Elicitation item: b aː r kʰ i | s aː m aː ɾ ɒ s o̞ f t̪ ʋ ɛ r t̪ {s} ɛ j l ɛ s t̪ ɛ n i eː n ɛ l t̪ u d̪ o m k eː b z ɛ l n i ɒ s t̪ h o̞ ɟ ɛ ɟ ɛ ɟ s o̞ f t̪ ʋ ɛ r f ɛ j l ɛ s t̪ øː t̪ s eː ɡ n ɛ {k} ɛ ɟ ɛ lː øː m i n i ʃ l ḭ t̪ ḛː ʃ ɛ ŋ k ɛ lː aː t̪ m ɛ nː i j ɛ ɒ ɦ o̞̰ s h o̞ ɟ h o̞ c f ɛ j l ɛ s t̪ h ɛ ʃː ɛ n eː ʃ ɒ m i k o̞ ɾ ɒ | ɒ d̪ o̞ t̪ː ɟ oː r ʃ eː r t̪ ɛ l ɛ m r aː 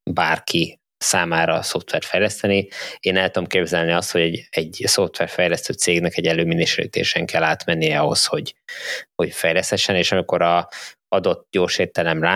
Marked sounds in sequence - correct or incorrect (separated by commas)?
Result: incorrect, correct